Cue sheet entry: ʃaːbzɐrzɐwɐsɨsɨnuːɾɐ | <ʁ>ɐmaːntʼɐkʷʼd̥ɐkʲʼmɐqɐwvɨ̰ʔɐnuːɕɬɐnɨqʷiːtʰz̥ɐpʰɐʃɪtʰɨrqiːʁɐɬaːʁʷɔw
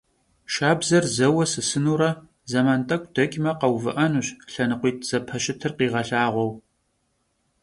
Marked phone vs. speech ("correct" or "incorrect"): incorrect